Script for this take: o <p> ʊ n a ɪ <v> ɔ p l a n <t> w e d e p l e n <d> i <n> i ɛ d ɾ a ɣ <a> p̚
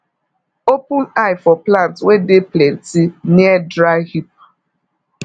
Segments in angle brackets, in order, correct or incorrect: correct, incorrect: f, correct, incorrect: t, correct, incorrect: i

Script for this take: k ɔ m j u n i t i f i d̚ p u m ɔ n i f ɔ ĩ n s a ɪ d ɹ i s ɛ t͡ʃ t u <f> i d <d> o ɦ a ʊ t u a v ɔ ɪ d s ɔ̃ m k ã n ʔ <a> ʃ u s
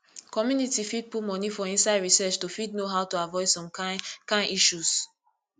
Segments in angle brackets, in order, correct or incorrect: correct, incorrect: n, incorrect: i

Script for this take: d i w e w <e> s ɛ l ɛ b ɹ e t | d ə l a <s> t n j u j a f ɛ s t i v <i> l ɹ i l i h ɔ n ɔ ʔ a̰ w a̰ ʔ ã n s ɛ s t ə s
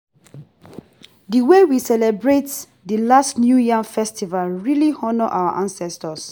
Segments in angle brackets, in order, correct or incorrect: incorrect: i, correct, incorrect: a

